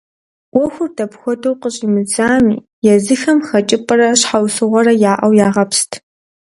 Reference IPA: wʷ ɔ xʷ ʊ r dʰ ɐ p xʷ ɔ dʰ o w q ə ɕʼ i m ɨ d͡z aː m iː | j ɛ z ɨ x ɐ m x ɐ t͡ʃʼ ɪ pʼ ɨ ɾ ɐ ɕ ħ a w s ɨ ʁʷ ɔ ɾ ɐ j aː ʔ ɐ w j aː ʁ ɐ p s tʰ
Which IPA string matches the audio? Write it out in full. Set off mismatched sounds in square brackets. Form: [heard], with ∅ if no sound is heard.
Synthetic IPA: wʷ ɔ xʷ ʊ r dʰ ɐ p xʷ ɔ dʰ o w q ə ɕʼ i m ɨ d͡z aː m iː | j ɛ z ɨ x ɐ m x ɐ t͡ʃʼ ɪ pʼ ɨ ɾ ɐ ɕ ħ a w s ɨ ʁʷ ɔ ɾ ɐ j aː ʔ ɐ w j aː ʁ ɐ p s tʰ